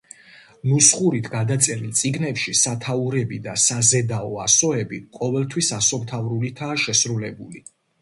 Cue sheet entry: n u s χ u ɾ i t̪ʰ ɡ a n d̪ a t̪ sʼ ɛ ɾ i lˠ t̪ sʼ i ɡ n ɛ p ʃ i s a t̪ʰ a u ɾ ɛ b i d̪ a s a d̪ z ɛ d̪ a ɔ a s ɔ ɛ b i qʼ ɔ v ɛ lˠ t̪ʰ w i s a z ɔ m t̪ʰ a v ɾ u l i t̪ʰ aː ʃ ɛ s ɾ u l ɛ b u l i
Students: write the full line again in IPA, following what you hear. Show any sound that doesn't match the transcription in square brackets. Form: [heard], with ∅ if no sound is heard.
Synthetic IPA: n u s χ u ɾ i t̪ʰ ɡ a [∅] d̪ a t̪ sʼ ɛ ɾ i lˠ t̪ sʼ i ɡ n ɛ p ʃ i s a t̪ʰ a u ɾ ɛ b i d̪ a s a [∅] z ɛ d̪ a ɔ a s ɔ ɛ b i qʼ ɔ v ɛ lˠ t̪ʰ w i s a [s] ɔ m t̪ʰ a v ɾ u l i t̪ʰ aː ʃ ɛ s ɾ u l ɛ b u l i

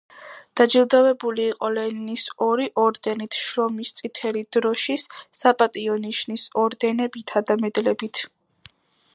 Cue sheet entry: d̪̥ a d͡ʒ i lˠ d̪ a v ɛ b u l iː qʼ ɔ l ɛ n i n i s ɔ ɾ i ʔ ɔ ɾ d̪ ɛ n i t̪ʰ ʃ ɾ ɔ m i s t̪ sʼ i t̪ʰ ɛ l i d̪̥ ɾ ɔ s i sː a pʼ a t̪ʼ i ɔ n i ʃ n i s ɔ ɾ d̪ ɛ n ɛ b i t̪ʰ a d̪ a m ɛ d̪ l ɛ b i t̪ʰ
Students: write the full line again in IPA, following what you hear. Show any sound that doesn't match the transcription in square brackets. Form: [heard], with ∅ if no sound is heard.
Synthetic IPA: d̪̥ a d͡ʒ i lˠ d̪ a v ɛ b u l iː qʼ ɔ l ɛ n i n i s ɔ ɾ i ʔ ɔ ɾ d̪ ɛ n i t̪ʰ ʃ ɾ ɔ m i s t̪ sʼ i t̪ʰ ɛ l i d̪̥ ɾ ɔ [ʃ] i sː a pʼ a t̪ʼ i ɔ n i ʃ n i s ɔ ɾ d̪ ɛ n ɛ b i t̪ʰ a d̪ a m ɛ d̪ l ɛ b i t̪ʰ

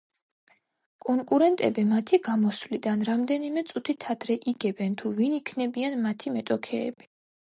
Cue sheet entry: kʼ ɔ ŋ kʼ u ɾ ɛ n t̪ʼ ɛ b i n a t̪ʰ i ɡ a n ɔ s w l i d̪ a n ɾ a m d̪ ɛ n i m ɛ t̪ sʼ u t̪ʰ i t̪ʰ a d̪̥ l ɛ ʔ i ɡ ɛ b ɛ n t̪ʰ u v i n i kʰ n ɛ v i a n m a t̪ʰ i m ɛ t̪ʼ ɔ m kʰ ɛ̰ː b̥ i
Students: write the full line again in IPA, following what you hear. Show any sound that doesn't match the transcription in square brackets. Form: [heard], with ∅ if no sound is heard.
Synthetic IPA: kʼ ɔ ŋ kʼ u ɾ ɛ n t̪ʼ ɛ b i [m] a t̪ʰ i ɡ a [m] ɔ s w l i d̪ a n ɾ a m d̪ ɛ n i m ɛ t̪ sʼ u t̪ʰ i t̪ʰ a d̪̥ [ɾ] ɛ ʔ i ɡ ɛ b ɛ n t̪ʰ u v i n i kʰ n ɛ [b] i a n m a t̪ʰ i m ɛ t̪ʼ ɔ [∅] kʰ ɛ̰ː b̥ i

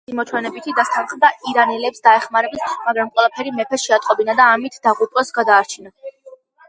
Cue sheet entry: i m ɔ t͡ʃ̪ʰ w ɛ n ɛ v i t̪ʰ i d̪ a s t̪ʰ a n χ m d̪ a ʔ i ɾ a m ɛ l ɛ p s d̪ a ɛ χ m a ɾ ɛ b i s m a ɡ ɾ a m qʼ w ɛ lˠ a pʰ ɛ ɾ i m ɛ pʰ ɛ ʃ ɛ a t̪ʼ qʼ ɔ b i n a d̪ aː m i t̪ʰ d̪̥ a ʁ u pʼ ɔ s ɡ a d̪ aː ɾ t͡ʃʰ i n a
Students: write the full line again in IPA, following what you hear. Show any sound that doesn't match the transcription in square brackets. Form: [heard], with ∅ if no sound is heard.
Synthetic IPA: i m ɔ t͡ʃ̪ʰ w ɛ n ɛ [b] i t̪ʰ i d̪ a s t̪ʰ a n χ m d̪ a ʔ i ɾ a [n] ɛ l ɛ p s d̪ a ɛ χ m a ɾ ɛ b i s m a ɡ ɾ a m qʼ w ɛ lˠ a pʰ ɛ ɾ i m ɛ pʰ ɛ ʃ ɛ a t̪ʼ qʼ ɔ b i n a d̪ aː m i t̪ʰ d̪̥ a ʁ u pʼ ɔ s ɡ a d̪ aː ɾ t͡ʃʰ i n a

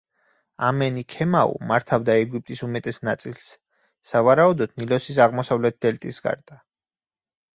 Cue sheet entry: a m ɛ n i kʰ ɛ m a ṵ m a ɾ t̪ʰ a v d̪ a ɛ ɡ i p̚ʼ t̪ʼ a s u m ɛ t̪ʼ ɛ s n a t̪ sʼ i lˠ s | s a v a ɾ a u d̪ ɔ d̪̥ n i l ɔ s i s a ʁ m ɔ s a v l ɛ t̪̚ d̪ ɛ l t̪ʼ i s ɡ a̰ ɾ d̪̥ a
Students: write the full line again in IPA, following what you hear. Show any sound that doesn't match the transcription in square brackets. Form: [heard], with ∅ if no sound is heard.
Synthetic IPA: a m ɛ n i kʰ ɛ m a ṵ m a ɾ t̪ʰ a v d̪ a ɛ ɡ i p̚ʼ t̪ʼ [i] s u m ɛ t̪ʼ ɛ s n a t̪ sʼ i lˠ s | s a v a ɾ a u d̪ ɔ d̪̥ n i l ɔ s i s a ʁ m ɔ s a v l ɛ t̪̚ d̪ ɛ l t̪ʼ i s ɡ a̰ ɾ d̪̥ a

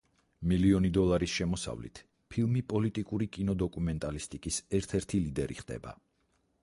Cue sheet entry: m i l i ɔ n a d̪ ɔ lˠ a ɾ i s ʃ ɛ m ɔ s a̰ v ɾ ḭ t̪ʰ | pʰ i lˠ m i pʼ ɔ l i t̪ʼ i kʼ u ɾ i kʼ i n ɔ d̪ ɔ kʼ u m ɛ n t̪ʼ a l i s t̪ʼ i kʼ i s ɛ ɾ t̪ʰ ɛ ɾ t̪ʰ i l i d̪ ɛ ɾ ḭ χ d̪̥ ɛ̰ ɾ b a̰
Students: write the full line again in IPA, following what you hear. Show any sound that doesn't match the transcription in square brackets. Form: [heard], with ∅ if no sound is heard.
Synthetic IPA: m i l i ɔ n [i] d̪ ɔ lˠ a ɾ i s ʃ ɛ m ɔ s a̰ v [l] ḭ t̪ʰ | pʰ i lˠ m i pʼ ɔ l i t̪ʼ i kʼ u ɾ i kʼ i n ɔ d̪ ɔ kʼ u m ɛ n t̪ʼ a l i s t̪ʼ i kʼ i s ɛ ɾ t̪ʰ ɛ ɾ t̪ʰ i l i d̪ ɛ ɾ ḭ χ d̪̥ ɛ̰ [∅] b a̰

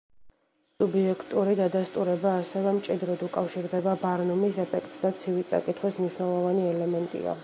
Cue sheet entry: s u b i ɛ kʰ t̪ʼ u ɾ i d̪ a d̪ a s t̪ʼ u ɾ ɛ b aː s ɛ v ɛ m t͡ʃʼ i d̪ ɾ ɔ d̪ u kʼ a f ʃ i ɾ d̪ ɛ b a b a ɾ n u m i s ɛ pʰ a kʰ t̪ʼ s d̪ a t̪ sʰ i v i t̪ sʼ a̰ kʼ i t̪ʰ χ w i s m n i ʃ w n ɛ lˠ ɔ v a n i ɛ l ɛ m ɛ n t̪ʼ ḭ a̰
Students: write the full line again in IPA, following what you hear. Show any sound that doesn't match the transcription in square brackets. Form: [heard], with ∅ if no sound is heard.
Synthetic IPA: s u b i ɛ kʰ t̪ʼ u ɾ i d̪ a d̪ a s t̪ʼ u ɾ ɛ b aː s ɛ v ɛ m t͡ʃʼ i d̪ ɾ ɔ d̪ u kʼ a f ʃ i ɾ d̪ ɛ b a b a ɾ n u m i s ɛ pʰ [ɛ] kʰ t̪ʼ s d̪ a t̪ sʰ i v i t̪ sʼ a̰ kʼ i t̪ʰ χ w i s m n i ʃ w n ɛ lˠ ɔ v a n i ɛ l ɛ m ɛ n t̪ʼ ḭ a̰

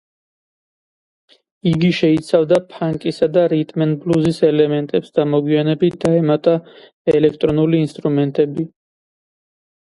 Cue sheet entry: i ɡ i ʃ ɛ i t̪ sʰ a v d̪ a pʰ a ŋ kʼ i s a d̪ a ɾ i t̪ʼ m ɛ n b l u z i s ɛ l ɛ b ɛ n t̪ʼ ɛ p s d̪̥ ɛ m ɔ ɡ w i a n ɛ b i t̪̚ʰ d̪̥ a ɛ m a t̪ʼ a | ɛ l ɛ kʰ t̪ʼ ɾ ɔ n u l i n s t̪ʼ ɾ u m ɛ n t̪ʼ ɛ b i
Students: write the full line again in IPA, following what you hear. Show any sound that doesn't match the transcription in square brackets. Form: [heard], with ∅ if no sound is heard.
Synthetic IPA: i ɡ i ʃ ɛ i t̪ sʰ a v d̪ a pʰ a ŋ kʼ i s a d̪ a ɾ i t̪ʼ m ɛ n b l u z i s ɛ l ɛ [m] ɛ n t̪ʼ ɛ p s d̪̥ [a] m ɔ ɡ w i a n ɛ b i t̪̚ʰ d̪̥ a ɛ m a t̪ʼ a | ɛ l ɛ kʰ t̪ʼ ɾ ɔ n u l [iː] n s t̪ʼ ɾ u m ɛ n t̪ʼ ɛ b i

